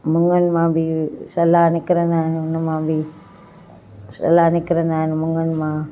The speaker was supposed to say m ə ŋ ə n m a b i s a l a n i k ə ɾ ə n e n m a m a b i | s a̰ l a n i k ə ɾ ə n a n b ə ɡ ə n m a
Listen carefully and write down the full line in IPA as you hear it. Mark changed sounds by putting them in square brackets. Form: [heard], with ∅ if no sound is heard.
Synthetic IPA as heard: m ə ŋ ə n m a b i s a l a n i k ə ɾ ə n [a] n [n] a m a b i | s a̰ l a n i k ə ɾ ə n a n [m] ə [ŋ] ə n m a